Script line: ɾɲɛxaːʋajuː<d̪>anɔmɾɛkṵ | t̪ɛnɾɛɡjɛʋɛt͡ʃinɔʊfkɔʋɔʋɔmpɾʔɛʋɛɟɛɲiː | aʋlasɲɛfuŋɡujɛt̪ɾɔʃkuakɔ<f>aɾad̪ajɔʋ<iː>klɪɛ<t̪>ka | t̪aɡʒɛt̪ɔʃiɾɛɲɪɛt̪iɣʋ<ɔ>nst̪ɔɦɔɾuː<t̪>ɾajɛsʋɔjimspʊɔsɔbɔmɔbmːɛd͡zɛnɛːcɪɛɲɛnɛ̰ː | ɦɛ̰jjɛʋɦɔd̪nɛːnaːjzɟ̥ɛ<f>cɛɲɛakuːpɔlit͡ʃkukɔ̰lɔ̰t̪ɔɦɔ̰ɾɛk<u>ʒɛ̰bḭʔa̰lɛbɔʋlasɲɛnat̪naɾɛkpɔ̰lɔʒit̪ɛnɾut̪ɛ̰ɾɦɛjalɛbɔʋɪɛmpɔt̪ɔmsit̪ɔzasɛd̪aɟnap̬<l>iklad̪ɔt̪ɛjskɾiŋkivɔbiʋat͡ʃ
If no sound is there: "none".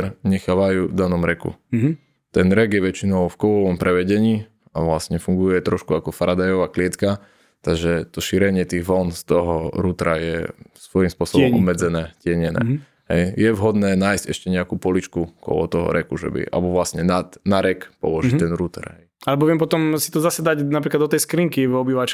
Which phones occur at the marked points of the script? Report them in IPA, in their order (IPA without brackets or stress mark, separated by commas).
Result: d̪, f, aː, t̪, ɔ, t̪, ʃ, u, ɾ